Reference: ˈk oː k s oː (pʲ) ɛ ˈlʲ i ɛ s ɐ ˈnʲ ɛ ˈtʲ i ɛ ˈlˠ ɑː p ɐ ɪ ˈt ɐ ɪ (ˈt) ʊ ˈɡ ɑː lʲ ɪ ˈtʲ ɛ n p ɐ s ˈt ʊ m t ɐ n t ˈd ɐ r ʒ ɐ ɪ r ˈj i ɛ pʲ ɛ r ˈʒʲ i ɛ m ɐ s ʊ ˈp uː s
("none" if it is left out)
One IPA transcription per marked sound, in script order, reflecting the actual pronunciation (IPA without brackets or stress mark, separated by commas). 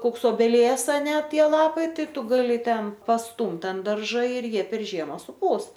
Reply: bʲ, t